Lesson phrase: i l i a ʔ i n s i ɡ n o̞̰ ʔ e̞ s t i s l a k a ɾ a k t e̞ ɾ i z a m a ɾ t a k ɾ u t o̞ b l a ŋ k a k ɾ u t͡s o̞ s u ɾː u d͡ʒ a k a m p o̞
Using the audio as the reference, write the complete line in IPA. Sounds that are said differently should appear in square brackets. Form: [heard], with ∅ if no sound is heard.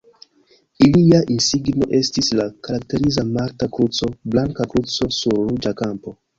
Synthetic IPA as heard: i l i a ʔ i n s i ɡ n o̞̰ ʔ e̞ s t i s l a k a ɾ a k t e̞ ɾ i z a m a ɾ t a k ɾ u [t͡s] o̞ b l a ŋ k a k ɾ u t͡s o̞ s u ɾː u d͡ʒ a k a m p o̞